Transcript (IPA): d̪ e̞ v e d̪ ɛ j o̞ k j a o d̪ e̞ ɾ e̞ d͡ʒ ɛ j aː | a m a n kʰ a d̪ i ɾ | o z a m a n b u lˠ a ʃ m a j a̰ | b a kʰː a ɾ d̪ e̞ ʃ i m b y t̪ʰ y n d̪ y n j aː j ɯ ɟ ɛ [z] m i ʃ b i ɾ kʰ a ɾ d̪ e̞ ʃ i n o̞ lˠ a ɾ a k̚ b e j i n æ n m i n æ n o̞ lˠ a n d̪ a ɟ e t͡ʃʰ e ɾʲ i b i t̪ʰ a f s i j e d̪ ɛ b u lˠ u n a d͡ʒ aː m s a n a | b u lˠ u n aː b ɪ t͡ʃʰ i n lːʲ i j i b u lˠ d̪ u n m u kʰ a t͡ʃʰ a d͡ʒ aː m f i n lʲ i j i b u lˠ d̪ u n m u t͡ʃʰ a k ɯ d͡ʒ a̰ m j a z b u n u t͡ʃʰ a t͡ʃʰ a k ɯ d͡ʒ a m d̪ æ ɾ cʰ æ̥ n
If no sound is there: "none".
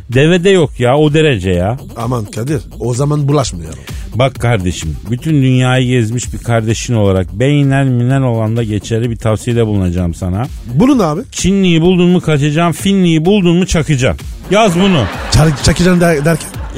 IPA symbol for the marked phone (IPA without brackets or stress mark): z